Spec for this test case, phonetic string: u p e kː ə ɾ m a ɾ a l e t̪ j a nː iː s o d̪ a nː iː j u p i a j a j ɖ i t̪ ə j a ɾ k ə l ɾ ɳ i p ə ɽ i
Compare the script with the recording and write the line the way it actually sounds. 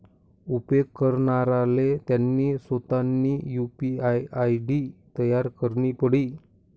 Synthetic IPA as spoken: u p e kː ə ɾ ɳ a ɾ a l e t̪ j a nː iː s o t̪ a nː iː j u p i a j a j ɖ i t̪ ə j a ɾ k ə ɾ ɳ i p ə ɽ i